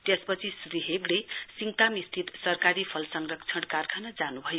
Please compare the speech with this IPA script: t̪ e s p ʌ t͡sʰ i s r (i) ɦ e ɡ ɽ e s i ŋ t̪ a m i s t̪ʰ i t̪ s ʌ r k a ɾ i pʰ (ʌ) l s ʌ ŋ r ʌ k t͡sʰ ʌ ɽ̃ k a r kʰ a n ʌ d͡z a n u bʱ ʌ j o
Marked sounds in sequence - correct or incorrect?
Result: correct, correct

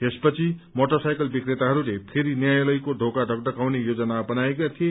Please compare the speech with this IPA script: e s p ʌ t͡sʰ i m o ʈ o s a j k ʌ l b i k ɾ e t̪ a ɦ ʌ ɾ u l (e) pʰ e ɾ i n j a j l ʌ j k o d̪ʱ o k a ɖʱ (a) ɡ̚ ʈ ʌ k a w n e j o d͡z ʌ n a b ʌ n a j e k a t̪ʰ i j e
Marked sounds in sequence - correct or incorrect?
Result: correct, incorrect

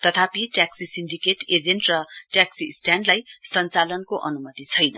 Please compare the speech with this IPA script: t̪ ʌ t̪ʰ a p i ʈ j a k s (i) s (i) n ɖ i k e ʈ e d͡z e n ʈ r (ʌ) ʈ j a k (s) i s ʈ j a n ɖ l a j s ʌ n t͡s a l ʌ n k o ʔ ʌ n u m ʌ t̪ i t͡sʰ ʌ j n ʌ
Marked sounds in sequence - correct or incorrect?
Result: correct, correct, correct, correct

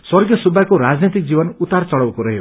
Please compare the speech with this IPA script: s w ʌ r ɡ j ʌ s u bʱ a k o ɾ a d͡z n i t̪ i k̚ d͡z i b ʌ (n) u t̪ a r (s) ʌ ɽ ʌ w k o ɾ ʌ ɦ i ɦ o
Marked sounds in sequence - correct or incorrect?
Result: correct, incorrect

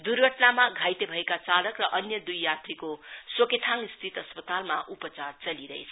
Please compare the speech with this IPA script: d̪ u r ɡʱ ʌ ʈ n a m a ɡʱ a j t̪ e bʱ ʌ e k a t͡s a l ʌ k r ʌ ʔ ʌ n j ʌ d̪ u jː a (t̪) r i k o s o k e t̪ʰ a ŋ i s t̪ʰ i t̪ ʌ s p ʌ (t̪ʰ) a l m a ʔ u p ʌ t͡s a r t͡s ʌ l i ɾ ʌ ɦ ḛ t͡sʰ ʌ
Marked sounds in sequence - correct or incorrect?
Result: correct, incorrect

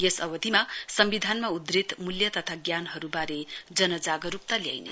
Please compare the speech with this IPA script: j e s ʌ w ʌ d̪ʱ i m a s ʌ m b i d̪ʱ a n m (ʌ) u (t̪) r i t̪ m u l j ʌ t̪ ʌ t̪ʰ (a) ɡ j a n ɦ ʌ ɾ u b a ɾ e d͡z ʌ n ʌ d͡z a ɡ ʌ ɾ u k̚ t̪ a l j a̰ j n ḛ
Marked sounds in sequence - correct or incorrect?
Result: incorrect, incorrect, correct

